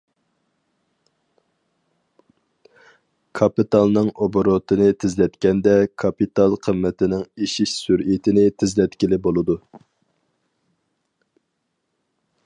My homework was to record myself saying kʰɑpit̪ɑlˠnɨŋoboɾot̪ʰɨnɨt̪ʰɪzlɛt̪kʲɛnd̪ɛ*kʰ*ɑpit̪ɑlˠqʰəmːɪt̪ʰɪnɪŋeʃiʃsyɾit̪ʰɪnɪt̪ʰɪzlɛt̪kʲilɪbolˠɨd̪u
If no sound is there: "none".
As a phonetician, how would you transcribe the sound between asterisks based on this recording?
kʰ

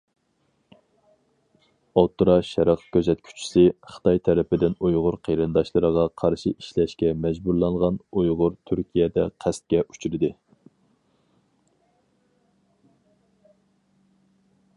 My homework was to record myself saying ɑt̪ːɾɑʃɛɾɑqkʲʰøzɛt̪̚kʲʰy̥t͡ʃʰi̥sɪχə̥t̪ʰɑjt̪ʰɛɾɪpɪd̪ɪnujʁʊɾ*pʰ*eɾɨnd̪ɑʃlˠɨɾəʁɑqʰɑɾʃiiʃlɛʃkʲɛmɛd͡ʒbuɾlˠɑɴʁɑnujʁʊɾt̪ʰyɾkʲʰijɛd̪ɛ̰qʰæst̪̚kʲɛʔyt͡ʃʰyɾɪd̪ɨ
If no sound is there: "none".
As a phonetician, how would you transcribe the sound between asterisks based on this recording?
qʰ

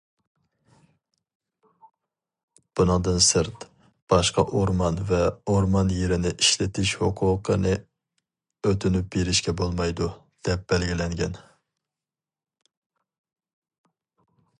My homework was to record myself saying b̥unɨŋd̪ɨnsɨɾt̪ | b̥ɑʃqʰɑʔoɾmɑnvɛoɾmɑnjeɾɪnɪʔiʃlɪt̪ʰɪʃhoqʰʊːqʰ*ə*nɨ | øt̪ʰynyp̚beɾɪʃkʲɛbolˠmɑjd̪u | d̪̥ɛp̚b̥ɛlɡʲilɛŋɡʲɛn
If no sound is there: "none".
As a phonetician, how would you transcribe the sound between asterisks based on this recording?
ə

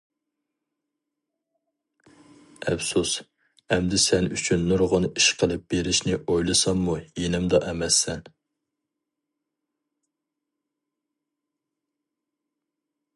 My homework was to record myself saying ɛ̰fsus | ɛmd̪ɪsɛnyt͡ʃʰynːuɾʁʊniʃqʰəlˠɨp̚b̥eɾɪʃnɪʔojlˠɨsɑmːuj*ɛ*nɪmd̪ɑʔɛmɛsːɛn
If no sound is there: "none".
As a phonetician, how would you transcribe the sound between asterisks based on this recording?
e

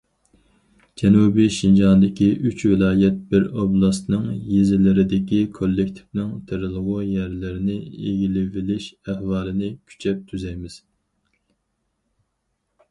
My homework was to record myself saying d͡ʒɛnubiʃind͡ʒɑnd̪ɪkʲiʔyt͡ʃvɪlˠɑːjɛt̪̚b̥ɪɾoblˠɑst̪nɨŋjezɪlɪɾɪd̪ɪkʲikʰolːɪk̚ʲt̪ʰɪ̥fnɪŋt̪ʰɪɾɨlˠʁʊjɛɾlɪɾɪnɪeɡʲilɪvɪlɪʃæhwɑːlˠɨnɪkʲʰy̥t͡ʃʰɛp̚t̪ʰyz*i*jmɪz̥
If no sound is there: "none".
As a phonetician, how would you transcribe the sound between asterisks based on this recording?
ɛ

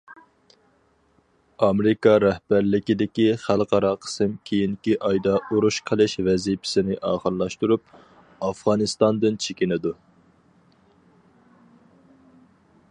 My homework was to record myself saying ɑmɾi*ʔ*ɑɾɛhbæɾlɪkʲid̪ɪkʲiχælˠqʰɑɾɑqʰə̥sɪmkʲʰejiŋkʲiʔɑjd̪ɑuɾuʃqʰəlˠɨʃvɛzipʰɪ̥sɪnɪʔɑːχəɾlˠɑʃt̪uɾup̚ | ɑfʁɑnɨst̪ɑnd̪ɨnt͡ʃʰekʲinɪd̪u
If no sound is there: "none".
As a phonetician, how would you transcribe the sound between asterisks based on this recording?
k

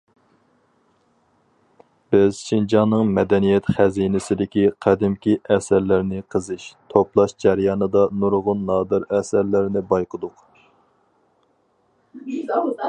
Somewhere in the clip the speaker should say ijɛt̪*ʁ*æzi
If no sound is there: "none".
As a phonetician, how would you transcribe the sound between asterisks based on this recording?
χ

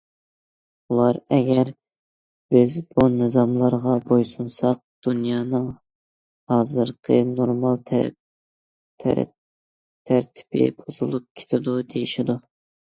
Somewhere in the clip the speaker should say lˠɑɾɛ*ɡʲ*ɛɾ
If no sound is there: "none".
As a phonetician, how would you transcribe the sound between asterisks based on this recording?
ɡʲ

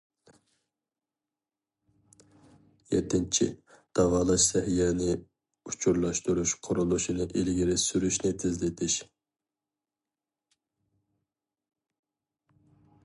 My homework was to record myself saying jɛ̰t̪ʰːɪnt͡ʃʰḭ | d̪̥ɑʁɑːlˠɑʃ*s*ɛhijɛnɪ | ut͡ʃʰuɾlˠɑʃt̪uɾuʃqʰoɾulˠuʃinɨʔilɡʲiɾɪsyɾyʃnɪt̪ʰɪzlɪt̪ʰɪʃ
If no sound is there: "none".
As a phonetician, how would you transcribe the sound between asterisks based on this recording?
s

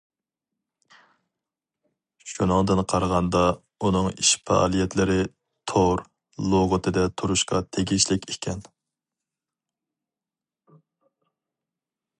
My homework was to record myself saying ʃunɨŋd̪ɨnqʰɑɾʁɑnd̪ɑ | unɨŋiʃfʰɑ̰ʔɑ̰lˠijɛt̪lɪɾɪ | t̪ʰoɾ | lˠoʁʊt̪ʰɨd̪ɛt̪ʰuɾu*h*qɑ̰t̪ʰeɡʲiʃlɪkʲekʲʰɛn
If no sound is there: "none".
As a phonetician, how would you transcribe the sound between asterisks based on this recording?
ʃ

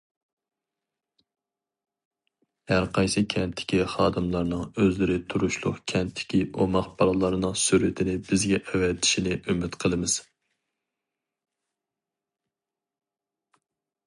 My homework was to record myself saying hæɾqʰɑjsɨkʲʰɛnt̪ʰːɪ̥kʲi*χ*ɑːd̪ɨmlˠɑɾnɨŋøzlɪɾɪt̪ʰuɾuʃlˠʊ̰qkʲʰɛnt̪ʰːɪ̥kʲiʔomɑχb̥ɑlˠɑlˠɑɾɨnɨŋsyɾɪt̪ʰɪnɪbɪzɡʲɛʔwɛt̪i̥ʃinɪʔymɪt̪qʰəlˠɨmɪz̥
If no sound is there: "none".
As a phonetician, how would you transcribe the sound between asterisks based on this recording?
χ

